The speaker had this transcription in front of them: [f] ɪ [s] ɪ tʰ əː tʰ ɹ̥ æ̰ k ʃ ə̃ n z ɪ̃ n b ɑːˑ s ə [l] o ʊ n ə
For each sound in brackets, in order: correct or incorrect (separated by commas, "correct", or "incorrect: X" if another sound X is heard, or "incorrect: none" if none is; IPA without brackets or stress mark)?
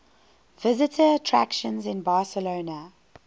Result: incorrect: v, incorrect: z, correct